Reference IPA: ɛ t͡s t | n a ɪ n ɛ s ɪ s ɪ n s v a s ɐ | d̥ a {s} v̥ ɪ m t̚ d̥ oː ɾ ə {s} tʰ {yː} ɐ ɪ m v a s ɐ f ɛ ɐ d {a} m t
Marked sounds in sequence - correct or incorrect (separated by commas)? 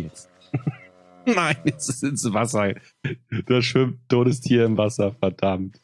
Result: incorrect, correct, incorrect, correct